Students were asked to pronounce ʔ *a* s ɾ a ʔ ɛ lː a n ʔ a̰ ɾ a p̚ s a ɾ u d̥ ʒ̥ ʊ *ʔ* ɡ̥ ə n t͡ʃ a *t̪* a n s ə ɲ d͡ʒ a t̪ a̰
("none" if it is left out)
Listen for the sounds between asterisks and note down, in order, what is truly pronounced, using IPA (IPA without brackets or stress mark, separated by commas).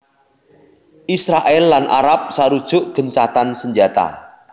i, ʔ, t̪